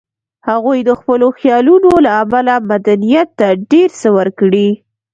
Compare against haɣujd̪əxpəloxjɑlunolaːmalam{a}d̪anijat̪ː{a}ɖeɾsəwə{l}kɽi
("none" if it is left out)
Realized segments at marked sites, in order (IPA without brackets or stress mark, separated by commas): a, a, ɾ